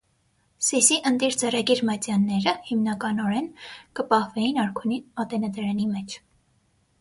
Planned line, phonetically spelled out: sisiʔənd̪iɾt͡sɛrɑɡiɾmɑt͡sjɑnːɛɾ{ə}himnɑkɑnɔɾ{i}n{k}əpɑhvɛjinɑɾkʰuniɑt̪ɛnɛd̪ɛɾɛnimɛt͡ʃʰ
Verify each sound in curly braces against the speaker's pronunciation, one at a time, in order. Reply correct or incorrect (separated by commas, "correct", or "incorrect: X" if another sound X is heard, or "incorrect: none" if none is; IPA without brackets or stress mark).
correct, incorrect: ɛ, correct